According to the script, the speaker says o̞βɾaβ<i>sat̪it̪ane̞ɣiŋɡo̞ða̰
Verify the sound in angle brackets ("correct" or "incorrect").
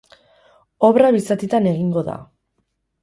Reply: correct